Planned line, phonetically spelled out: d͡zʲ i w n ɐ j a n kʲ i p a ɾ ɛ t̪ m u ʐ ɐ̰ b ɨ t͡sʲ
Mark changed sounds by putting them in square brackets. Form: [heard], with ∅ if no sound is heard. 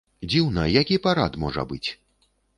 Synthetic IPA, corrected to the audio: d͡zʲ i w n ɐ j a [∅] kʲ i p a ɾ [a] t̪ m [ɔ] ʐ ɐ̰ b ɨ t͡sʲ